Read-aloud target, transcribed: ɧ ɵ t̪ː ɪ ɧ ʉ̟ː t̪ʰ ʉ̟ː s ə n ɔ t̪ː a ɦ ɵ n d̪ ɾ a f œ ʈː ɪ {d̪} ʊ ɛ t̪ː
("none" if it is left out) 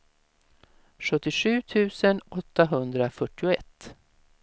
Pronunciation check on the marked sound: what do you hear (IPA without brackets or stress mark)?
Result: none